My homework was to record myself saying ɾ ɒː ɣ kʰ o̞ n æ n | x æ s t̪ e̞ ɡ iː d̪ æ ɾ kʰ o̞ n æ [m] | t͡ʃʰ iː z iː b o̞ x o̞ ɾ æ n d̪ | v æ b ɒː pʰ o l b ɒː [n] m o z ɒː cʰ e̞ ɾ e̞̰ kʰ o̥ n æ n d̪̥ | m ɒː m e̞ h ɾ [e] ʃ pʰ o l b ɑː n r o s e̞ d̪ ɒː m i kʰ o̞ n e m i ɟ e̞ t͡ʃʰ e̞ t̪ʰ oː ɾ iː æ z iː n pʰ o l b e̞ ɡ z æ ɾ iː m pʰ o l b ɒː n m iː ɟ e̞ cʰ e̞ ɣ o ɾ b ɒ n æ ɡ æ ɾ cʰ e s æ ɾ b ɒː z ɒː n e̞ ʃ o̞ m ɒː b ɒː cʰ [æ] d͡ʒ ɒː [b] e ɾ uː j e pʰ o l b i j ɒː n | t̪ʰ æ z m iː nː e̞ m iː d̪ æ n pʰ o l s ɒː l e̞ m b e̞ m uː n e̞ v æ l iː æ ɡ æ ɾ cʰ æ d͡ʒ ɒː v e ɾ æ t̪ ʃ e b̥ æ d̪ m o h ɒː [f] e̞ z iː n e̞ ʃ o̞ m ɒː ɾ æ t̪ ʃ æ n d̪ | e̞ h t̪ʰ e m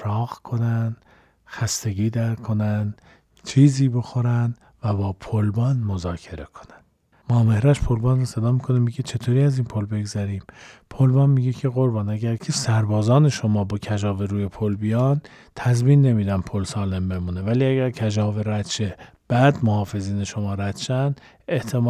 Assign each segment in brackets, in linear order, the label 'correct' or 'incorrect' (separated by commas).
incorrect, correct, incorrect, correct, incorrect, correct